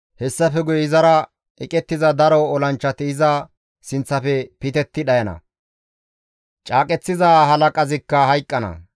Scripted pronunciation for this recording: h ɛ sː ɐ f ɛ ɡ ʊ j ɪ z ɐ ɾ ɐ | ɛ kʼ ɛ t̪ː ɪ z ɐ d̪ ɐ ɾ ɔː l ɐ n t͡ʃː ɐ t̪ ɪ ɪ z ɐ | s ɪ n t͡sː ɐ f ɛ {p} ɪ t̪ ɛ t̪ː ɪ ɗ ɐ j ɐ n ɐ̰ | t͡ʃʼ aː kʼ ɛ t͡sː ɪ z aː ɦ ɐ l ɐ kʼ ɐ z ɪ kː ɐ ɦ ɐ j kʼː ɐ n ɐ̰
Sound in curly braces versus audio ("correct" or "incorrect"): correct